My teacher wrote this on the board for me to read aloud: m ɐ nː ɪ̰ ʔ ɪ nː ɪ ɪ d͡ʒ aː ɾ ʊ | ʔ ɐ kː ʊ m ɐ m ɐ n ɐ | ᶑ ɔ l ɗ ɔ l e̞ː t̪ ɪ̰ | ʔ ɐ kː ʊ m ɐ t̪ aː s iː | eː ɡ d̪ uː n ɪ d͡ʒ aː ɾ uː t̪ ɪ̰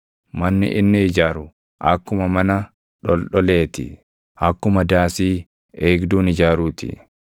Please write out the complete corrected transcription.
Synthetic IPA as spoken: m ɐ nː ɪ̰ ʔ ɪ nː ɪ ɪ d͡ʒ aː ɾ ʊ | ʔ ɐ kː ʊ m ɐ m ɐ n ɐ | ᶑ ɔ l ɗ ɔ l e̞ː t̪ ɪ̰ | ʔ ɐ kː ʊ m ɐ d̪ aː s iː | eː ɡ d̪ uː n ɪ d͡ʒ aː ɾ uː t̪ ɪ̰